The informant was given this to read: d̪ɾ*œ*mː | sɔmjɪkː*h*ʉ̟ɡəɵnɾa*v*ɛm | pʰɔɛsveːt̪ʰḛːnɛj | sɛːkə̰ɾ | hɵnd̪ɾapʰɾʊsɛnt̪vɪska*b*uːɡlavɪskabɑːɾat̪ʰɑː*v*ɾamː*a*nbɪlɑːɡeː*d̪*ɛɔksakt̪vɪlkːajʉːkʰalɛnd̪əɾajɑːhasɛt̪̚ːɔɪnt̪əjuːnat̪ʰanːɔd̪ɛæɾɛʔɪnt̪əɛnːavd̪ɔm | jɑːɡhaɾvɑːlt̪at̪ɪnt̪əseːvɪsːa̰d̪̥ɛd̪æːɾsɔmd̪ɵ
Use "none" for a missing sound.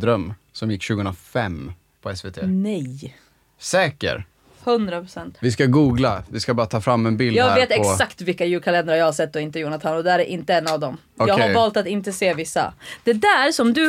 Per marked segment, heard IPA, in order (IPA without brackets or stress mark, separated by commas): œ, ɕ, f, ɡ, f, ɛ, t̪